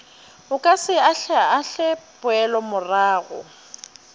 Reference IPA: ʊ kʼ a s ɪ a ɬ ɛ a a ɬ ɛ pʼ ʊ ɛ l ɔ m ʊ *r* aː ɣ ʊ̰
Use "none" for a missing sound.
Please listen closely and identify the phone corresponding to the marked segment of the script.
r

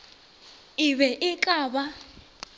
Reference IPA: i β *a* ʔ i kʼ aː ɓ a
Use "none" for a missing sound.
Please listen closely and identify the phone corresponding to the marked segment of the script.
ɛ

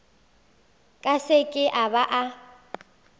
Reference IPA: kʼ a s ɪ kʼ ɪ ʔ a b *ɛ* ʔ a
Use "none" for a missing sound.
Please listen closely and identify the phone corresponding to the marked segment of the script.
a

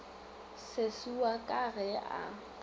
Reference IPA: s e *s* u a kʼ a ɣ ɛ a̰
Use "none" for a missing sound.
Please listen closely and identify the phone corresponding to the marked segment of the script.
s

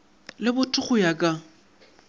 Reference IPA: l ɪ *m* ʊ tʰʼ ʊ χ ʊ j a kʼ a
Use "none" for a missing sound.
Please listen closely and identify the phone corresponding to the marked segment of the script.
b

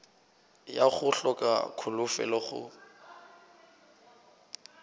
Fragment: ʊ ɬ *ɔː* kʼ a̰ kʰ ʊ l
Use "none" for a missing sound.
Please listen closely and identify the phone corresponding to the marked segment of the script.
ɔ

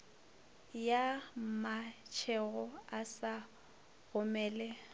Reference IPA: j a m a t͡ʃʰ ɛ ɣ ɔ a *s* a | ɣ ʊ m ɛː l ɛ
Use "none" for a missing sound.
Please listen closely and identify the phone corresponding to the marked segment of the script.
s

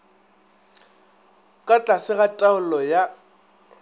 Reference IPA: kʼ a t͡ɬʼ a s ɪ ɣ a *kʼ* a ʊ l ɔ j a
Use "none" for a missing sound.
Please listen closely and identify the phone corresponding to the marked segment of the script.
tʼ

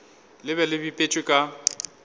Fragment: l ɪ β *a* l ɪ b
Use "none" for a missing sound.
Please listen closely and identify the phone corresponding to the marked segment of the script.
ɛ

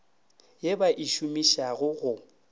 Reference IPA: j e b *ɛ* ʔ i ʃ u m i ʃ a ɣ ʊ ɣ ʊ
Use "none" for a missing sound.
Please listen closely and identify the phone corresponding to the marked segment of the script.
a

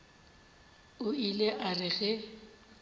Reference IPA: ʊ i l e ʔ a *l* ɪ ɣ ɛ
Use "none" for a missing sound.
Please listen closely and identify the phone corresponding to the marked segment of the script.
r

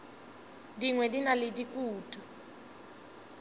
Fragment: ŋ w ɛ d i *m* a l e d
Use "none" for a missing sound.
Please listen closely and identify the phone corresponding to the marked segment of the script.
n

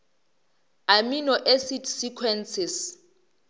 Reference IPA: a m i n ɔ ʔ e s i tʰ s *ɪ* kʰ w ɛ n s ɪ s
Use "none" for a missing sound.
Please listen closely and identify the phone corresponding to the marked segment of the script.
i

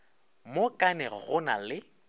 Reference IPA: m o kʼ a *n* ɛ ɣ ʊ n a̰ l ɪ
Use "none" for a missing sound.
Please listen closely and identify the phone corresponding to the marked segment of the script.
n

